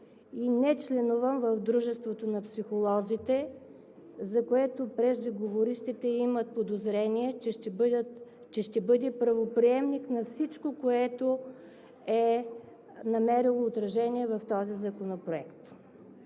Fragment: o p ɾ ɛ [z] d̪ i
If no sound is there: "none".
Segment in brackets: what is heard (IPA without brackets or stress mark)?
ʒ